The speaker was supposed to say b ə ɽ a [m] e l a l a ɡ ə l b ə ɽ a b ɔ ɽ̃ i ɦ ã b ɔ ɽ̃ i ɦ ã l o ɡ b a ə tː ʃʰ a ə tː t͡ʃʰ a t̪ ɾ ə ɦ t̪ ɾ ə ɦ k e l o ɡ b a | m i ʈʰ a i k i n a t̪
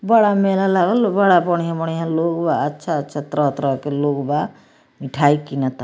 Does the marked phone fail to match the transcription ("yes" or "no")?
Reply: no